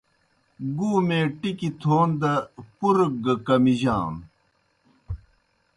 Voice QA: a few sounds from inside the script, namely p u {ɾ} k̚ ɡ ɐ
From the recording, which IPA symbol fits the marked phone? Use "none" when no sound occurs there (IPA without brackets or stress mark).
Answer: ɾ